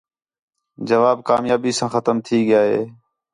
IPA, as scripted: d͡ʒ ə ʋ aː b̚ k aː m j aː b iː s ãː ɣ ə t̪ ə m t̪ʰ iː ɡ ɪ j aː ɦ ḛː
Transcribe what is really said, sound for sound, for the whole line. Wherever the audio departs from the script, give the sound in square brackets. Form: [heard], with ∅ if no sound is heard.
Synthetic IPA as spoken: d͡ʒ ə ʋ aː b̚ k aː m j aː b iː s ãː [x] ə t̪ ə m t̪ʰ iː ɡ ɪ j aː ɦ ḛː

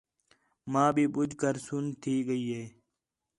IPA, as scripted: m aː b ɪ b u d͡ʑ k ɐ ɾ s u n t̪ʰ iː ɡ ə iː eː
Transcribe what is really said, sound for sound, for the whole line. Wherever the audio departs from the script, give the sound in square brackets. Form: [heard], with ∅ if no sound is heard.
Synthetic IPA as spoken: m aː b [i] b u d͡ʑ k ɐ ɾ s u n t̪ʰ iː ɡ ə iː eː

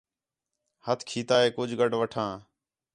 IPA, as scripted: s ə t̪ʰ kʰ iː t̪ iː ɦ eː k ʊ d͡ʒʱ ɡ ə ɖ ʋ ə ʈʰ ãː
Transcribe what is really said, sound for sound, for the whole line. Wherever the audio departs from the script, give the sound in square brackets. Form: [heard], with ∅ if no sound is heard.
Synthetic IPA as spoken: [h] ə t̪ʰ kʰ iː t̪ [aː] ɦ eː k ʊ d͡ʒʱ ɡ ə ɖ ʋ ə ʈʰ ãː

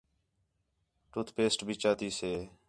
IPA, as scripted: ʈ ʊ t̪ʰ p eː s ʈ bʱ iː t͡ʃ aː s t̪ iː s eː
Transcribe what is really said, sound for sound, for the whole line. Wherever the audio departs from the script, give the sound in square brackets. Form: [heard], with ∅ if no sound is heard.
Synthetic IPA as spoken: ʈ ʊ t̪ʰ p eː s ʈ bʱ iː t͡ʃ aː [∅] t̪ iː s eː

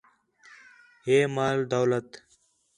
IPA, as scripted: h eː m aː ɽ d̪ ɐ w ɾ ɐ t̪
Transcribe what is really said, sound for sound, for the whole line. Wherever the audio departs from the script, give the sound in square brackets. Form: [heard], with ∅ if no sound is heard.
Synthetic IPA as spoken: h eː m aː [l] d̪ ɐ w [l] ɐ t̪

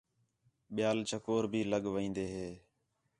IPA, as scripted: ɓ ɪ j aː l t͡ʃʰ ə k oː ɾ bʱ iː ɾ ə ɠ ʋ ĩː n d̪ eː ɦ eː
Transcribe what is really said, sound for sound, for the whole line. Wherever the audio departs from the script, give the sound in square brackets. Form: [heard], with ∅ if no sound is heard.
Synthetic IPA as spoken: ɓ ɪ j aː l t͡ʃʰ ə k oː ɾ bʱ iː [l] ə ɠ ʋ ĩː n d̪ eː ɦ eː

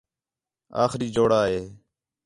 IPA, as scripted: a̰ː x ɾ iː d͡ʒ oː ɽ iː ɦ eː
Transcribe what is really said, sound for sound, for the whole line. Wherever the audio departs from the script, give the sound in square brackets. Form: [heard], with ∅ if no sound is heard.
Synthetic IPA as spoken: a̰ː x ɾ iː d͡ʒ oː ɽ [aː] ɦ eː

